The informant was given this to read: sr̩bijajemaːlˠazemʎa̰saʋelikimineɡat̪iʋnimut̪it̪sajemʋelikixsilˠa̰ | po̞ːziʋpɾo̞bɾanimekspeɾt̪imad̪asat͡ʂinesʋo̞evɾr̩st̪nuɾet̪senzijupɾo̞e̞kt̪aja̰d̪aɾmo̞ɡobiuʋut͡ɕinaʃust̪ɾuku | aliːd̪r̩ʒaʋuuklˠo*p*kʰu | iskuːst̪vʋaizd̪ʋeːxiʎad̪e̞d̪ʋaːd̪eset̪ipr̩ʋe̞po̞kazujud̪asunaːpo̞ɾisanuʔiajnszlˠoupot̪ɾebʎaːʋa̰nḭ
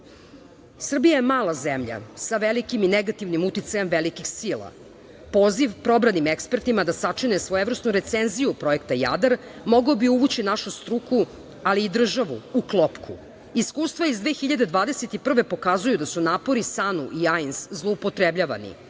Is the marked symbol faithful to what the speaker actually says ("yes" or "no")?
yes